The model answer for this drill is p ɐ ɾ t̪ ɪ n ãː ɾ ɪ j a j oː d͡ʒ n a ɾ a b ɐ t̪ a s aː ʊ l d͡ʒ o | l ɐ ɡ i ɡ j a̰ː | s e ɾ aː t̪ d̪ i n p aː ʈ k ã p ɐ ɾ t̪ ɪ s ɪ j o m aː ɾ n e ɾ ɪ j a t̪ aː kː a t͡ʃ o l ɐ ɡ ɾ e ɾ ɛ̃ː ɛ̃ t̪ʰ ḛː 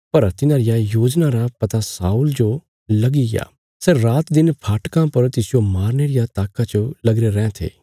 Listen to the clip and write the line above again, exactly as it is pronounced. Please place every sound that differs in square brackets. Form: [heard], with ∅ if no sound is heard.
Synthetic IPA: p ɐ ɾ t̪ ɪ n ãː ɾ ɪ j a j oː d͡ʒ n a ɾ a [p] ɐ t̪ a s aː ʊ l d͡ʒ o | l ɐ ɡ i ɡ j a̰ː | s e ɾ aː t̪ d̪ [ɪ] n [pʰ] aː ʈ k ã p ɐ ɾ t̪ ɪ s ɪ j o m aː ɾ n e ɾ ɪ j a t̪ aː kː a t͡ʃ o l ɐ ɡ ɾ e ɾ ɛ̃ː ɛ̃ t̪ʰ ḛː